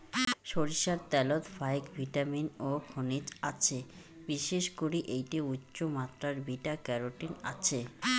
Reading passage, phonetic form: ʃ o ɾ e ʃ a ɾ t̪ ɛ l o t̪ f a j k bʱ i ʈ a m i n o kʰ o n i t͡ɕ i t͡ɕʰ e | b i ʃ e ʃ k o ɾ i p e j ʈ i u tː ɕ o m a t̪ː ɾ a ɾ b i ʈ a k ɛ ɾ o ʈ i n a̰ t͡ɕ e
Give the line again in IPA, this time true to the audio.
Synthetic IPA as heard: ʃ o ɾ i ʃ a ɾ t̪ ɛ l o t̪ f a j k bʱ i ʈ a m i n o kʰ o n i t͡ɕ a t͡ɕʰ e | b i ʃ e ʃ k o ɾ i ʔ e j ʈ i u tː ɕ o m a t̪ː ɾ a ɾ b i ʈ a k ɛ ɾ o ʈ i n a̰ t͡ɕʰ e